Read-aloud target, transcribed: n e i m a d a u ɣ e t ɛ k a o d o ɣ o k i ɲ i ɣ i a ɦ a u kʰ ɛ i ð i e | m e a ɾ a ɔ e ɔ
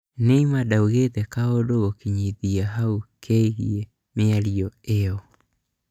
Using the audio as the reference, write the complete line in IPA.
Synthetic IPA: n e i m a d a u ɣ e t ɛ k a o d o ɣ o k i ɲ i ð i a ɦ a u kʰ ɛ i ɣ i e | m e a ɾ i ɔ e ɔ